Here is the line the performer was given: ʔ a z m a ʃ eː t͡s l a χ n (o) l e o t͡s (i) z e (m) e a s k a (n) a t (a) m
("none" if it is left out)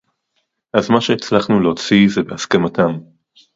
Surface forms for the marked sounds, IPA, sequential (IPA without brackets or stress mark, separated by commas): u, i, b, m, a